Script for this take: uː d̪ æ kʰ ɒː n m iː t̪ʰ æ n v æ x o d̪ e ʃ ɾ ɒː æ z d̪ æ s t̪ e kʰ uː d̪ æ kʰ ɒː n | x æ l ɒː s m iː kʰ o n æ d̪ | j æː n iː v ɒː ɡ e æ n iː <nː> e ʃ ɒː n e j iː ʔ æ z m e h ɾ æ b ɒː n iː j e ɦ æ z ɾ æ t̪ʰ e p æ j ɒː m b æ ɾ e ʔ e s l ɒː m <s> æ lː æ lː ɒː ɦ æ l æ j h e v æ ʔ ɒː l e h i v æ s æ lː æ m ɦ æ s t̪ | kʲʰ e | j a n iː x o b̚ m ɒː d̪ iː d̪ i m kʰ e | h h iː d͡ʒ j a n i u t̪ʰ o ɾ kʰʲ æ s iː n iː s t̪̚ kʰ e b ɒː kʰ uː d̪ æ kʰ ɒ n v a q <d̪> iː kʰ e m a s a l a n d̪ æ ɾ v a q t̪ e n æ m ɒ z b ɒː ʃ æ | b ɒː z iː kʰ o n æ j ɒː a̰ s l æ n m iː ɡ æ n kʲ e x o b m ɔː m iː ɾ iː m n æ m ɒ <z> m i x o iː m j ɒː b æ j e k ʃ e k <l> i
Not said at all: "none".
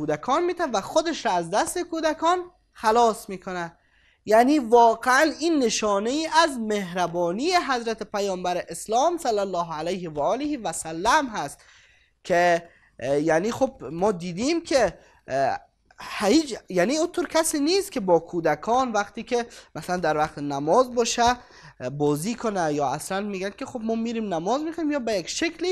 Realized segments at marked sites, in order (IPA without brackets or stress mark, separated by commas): nː, s, t̪, z, l